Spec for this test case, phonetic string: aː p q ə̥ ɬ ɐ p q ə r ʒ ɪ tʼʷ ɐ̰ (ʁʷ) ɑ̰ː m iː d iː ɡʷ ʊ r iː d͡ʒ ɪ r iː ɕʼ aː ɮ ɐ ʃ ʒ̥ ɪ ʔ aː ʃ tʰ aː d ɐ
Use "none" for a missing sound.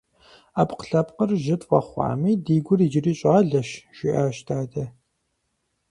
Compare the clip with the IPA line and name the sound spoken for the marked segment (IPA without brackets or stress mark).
χʷ